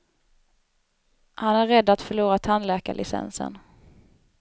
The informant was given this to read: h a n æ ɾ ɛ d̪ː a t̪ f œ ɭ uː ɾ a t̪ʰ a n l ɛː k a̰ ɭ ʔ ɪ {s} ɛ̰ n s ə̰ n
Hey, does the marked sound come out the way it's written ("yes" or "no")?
yes